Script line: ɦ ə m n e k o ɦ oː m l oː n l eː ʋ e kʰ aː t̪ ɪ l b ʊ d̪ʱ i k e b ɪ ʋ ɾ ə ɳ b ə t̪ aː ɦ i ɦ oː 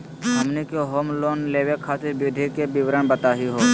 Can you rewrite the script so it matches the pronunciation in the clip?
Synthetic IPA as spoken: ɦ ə m n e k o ɦ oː m l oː n l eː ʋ e kʰ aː t̪ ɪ ɾ b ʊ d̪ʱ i k e b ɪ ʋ ɾ ə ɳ b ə t̪ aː ɦ i ɦ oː